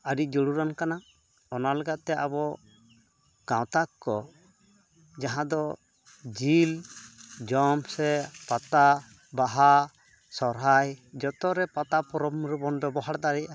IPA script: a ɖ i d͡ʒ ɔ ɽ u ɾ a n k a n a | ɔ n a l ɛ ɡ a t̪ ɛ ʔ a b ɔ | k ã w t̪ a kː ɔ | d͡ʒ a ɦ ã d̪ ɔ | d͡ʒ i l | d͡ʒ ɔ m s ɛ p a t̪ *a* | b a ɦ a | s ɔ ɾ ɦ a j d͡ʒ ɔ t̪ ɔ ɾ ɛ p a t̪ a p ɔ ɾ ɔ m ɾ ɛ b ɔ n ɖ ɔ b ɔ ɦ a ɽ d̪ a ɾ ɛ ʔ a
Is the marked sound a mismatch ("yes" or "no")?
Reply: no